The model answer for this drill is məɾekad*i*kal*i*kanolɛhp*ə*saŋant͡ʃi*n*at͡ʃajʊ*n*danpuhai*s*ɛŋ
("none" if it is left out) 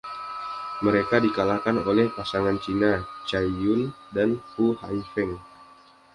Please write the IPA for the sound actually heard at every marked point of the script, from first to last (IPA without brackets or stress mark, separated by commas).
i, a, a, n, n, f